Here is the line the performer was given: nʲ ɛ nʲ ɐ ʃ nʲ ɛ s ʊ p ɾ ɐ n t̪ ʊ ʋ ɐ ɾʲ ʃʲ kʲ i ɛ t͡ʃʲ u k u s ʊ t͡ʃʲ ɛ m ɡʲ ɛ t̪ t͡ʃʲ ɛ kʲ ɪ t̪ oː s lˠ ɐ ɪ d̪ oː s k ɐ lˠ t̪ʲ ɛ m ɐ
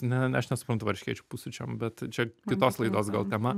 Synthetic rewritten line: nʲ ɛ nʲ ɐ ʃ nʲ ɛ s ʊ p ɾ ɐ n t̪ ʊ ʋ ɐ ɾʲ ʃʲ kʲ i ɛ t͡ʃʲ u p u s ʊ t͡ʃʲ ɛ m bʲ ɛ t̪ t͡ʃʲ ɛ kʲ ɪ t̪ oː s lˠ ɐ ɪ d̪ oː s ɡ ɐ lˠ t̪ʲ ɛ m ɐ